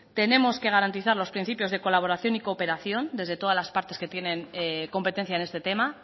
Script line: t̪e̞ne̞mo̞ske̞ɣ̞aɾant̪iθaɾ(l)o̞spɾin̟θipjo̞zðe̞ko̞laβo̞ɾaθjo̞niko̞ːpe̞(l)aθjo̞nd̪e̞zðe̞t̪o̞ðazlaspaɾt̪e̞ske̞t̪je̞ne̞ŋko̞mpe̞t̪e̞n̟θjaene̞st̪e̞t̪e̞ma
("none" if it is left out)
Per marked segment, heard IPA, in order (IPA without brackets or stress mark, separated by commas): l, ɾ